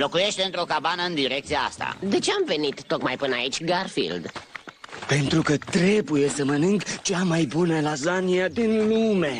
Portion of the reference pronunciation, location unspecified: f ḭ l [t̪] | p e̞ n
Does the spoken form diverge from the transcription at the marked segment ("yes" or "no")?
yes